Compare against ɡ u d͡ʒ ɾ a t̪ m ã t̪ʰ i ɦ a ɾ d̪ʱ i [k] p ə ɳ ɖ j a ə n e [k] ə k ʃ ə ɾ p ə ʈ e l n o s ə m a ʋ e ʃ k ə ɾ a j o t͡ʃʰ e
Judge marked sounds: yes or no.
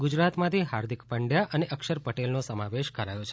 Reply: yes, no

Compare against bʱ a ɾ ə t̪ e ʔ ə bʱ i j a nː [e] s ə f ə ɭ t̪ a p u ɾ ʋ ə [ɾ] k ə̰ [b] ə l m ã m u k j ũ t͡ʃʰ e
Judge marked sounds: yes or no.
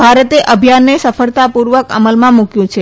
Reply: yes, no, no

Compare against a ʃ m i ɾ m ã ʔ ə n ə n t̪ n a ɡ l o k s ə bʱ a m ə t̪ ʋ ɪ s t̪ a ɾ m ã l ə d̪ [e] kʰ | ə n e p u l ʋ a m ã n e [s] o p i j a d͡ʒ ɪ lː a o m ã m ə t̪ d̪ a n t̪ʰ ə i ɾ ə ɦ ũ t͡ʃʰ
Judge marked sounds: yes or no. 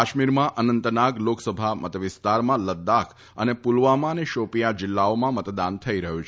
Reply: no, no

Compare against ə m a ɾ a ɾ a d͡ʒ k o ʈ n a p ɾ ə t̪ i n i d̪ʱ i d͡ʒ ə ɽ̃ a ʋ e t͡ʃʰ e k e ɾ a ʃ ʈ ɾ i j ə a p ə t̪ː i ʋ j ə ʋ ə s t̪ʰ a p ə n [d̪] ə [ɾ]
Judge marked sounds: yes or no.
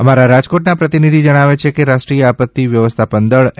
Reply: yes, no

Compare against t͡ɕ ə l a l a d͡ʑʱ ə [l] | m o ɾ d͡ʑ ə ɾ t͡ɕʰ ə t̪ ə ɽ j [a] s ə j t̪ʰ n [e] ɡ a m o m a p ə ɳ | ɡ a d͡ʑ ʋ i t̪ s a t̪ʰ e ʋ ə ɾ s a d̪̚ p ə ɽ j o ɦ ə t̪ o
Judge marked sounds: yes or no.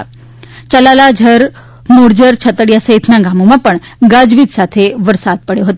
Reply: no, yes, no

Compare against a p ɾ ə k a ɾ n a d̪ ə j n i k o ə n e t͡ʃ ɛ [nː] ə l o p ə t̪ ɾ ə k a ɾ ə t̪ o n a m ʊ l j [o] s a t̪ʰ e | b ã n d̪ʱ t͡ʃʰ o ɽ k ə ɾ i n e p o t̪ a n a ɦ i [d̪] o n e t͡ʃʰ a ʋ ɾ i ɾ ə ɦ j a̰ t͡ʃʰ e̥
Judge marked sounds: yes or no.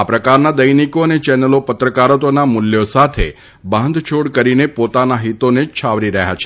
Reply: no, yes, no

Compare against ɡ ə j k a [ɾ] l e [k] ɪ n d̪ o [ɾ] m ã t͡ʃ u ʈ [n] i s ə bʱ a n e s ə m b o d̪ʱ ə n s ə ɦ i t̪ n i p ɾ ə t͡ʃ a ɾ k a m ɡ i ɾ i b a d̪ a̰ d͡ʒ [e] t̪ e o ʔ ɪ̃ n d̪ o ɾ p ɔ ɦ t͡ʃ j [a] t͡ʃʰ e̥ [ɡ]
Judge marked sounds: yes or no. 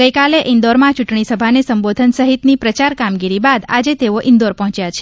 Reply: no, no, yes, no, yes, yes, no

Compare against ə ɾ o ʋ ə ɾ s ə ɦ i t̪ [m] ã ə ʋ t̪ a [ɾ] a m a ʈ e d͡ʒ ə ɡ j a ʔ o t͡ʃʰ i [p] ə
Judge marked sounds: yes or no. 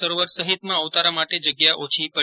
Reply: yes, yes, yes

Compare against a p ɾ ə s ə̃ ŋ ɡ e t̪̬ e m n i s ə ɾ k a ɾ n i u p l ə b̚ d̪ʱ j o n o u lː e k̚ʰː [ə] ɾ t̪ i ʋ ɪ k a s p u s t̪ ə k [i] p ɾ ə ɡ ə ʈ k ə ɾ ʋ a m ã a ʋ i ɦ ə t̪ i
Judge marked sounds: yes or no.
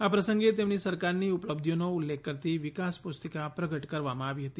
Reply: yes, no

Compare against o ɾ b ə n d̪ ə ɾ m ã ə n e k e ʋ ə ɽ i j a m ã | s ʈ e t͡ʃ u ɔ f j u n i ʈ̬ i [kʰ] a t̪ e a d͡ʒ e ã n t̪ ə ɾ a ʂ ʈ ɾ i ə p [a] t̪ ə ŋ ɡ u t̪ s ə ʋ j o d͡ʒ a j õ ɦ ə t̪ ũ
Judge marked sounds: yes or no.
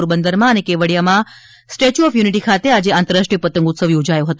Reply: yes, no

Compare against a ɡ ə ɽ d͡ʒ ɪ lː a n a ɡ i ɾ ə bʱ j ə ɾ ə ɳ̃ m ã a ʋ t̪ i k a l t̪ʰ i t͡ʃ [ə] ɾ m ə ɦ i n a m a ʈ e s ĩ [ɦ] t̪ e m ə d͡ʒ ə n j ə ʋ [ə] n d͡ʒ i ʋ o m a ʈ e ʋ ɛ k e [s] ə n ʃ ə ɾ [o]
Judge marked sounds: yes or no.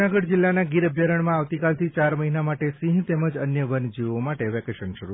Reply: no, yes, yes, no, no

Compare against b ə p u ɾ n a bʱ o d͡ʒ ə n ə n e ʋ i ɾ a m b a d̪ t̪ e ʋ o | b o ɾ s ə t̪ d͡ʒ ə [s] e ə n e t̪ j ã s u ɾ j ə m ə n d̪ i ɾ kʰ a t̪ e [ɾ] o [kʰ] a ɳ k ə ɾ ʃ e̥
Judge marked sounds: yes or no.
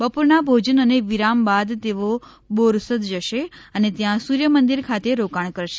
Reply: no, yes, no

